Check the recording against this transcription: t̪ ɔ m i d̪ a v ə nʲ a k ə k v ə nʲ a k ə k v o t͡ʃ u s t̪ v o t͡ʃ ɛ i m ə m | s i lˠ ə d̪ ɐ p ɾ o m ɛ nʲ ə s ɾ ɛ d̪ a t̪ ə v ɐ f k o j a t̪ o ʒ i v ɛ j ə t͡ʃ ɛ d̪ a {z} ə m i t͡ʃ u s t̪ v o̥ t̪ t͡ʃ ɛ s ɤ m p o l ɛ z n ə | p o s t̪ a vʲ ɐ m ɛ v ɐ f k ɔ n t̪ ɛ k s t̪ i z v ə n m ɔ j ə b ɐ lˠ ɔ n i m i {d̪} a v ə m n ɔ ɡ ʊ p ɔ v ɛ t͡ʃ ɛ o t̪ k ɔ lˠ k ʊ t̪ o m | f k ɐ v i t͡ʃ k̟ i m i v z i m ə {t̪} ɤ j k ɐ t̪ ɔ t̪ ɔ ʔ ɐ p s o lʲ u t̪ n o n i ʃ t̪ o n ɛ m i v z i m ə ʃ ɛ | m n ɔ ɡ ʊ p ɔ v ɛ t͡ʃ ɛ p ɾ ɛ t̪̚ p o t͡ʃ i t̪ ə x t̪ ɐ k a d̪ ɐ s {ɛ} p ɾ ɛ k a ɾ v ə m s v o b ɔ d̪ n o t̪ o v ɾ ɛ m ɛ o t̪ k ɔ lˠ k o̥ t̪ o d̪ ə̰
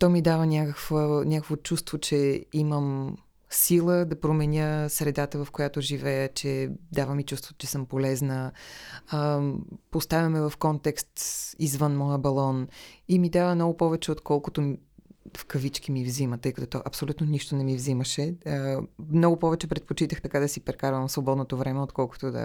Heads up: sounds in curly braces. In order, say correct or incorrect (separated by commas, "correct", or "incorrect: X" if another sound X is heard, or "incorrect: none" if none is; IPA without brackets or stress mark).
incorrect: v, correct, correct, incorrect: i